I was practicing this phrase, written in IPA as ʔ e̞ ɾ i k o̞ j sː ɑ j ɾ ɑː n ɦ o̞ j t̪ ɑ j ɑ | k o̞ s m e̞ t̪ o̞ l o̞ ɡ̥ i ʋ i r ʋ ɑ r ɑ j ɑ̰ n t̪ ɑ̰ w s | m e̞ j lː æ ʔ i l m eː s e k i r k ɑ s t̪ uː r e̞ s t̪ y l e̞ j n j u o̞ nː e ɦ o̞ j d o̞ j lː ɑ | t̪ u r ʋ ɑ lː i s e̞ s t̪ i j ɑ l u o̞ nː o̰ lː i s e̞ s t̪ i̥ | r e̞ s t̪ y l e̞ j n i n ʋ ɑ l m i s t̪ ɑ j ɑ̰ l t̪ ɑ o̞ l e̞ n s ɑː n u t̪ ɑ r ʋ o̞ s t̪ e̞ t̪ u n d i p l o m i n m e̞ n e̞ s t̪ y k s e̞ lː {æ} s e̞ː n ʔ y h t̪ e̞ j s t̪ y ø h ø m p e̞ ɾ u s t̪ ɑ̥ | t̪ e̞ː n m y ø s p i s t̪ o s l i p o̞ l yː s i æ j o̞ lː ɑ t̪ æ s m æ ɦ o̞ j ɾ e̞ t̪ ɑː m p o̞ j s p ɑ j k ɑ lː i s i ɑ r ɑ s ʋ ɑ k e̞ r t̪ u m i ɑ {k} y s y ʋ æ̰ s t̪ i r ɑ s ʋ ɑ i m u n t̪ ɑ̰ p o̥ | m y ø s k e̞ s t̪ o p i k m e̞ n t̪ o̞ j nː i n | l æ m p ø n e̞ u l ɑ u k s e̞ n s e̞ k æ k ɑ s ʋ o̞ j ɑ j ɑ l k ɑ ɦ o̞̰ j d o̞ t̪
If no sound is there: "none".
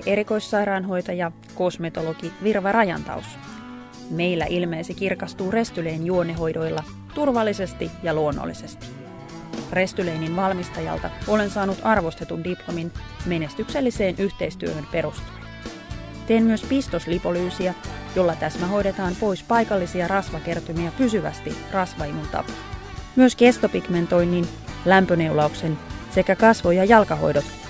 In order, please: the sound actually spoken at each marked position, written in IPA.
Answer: i, p

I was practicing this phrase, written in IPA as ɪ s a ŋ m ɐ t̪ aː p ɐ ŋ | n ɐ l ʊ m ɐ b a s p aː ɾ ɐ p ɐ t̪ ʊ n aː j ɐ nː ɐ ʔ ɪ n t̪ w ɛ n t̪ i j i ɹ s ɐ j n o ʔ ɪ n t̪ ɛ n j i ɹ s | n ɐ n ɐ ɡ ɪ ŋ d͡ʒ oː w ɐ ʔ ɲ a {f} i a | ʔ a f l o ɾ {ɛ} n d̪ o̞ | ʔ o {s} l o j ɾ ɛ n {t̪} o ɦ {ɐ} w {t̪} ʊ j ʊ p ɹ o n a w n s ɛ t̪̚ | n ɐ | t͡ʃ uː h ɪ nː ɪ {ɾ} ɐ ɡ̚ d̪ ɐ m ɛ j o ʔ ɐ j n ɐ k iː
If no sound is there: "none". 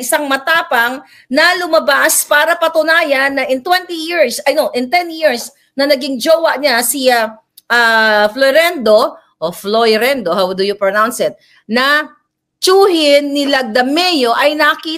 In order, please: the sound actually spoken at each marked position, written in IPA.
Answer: s, ɛ, f, d̪, a, d̪, l

